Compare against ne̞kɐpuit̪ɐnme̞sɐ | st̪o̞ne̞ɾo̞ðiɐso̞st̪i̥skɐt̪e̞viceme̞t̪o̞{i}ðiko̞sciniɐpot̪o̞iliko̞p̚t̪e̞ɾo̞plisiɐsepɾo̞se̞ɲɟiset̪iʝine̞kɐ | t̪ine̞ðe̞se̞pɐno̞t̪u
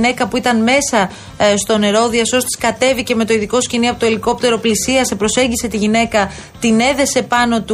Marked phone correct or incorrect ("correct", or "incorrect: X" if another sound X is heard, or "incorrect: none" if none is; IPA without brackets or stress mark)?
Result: correct